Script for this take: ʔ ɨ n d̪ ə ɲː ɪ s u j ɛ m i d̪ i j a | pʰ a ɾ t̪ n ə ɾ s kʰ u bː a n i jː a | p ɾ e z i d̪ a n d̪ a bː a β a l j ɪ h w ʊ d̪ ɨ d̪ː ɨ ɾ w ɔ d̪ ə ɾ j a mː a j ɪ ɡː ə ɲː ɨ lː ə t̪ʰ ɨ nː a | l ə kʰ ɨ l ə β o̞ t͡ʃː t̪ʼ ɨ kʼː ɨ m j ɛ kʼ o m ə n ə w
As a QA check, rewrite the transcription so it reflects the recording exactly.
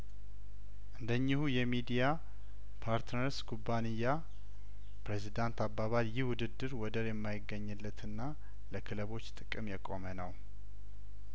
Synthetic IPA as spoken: ʔ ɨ n d̪ ə ɲː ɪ h u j ɛ m i d̪ i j a | pʰ a ɾ t̪ n ə ɾ s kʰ u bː a n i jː a | p ɾ e z i d̪ a n t̪ a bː a β a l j ɪ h w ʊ d̪ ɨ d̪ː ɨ ɾ w ɔ d̪ ə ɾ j ɛ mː a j ɪ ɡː ə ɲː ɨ lː ə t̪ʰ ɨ nː a | l ə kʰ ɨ l ə β o̞ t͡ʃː t̪ʼ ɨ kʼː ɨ m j ɛ kʼ o m ə n ə w